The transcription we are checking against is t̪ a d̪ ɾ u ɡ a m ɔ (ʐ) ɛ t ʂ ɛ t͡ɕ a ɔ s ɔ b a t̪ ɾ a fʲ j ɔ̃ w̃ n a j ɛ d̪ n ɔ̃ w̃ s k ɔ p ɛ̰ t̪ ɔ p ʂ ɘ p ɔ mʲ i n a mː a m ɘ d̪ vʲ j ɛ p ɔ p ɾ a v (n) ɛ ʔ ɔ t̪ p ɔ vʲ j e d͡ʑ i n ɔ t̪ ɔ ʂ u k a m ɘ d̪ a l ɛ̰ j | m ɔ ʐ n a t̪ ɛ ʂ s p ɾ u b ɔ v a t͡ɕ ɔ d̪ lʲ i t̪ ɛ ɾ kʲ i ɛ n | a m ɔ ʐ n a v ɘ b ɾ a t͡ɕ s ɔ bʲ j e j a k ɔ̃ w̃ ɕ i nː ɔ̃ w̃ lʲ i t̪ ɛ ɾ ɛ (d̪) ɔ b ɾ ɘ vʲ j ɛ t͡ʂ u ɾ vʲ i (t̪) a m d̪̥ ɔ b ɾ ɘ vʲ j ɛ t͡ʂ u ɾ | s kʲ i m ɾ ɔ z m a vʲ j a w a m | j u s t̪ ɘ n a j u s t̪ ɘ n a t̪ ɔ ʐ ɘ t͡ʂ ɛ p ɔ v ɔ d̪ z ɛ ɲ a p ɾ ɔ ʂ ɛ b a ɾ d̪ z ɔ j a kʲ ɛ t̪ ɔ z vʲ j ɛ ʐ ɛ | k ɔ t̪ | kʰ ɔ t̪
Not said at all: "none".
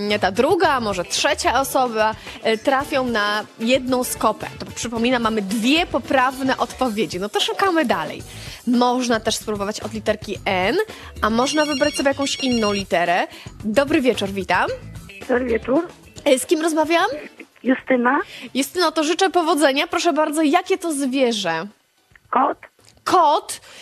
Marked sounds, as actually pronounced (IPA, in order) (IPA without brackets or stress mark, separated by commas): ʐ, n, d̪, t̪